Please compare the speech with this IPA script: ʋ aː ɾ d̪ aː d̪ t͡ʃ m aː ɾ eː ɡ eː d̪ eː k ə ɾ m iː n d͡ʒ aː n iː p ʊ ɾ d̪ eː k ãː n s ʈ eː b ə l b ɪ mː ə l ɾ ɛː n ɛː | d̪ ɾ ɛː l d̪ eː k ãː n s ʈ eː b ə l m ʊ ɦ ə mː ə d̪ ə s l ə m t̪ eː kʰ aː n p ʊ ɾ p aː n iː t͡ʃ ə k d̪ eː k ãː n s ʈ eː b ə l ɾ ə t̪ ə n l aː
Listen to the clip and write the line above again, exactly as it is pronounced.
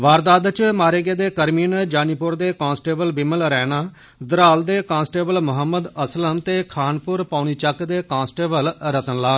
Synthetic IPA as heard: ʋ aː ɾ d̪ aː d̪ t͡ʃ m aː ɾ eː ɡ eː d̪ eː k ə ɾ m iː n d͡ʒ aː n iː p ʊ ɾ d̪ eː k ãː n s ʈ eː b ə l b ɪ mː ə l ɾ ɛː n aː | d̪ ɾ aː l d̪ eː k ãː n s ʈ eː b ə l m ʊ ɦ ə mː ə d̪ ə s l ə m t̪ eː kʰ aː n p ʊ ɾ p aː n iː t͡ʃ ə k d̪ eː k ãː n s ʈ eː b ə l ɾ ə t̪ ə n l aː

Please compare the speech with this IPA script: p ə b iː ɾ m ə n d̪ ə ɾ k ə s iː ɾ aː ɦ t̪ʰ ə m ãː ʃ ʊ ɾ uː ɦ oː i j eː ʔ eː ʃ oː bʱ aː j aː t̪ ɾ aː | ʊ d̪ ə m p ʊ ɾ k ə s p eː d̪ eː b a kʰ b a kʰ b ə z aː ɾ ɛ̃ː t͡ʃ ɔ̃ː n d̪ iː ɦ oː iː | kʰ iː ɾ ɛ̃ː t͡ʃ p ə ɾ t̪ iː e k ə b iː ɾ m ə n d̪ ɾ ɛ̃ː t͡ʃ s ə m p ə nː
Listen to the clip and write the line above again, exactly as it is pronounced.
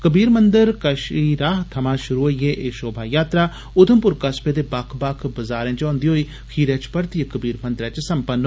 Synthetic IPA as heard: k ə b iː ɾ m ə n d̪ ə ɾ k ə ʃ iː ɾ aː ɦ t̪ʰ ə m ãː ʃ ʊ ɾ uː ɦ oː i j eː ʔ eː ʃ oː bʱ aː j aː t̪ ɾ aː | ʊ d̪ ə m p ʊ ɾ k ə s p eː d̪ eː b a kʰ b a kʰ b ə z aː ɾ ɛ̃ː t͡ʃ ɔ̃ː n d̪ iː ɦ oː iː | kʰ iː ɾ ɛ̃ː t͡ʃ p ə ɾ t̪ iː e k ə b iː ɾ m ə n d̪ ɾ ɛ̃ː t͡ʃ s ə m p ə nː

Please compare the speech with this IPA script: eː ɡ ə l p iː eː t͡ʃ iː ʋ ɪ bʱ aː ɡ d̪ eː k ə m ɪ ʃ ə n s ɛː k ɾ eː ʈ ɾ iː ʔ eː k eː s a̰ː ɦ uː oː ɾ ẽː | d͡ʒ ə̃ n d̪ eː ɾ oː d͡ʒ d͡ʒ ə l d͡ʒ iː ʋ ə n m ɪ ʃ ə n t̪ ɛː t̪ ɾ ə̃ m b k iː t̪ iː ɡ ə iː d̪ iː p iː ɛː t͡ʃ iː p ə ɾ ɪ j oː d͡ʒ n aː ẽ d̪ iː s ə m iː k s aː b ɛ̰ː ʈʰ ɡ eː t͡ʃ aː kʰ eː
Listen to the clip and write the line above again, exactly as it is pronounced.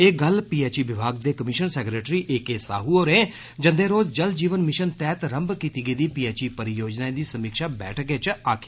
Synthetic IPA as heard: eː ɡ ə l p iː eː t͡ʃ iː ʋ ɪ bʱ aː ɡ d̪ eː k ə m ɪ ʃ ə n s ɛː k ɾ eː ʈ ɾ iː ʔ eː k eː s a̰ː ɦ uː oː ɾ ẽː | d͡ʒ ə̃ n d̪ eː ɾ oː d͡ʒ d͡ʒ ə l d͡ʒ iː ʋ ə n m ɪ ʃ ə n t̪ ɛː t̪ ɾ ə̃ m b k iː t̪ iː ɡ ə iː d̪ iː p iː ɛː t͡ʃ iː p ə ɾ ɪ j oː d͡ʒ n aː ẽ d̪ iː s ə m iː k ʃ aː b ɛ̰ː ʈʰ ɡ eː t͡ʃ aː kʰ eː

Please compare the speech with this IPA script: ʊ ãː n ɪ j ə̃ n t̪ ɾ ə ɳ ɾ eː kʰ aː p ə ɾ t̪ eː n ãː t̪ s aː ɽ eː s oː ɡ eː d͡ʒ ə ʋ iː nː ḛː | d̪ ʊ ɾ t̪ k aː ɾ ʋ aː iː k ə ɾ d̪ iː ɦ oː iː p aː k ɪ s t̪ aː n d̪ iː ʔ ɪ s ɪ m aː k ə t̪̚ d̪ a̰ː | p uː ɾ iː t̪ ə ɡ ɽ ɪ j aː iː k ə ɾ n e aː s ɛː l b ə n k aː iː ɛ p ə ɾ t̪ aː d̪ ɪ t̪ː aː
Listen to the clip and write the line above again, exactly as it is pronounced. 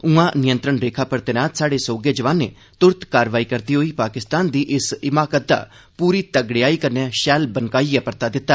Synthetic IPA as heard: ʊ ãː n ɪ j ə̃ n t̪ ɾ ə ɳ ɾ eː kʰ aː p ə ɾ t̪ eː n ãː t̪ s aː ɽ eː s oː ɡ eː d͡ʒ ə ʋ aː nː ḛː | t̪ ʊ ɾ t̪ k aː ɾ ʋ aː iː k ə ɾ d̪ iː ɦ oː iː p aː k ɪ s t̪ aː n d̪ iː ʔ ɪ s ɪ m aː k ə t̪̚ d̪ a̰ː | p uː ɾ iː t̪ ə ɡ ɽ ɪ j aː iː k ə ɾ n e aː ʃ ɛː l b ə n k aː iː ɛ p ə ɾ t̪ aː d̪ ɪ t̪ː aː

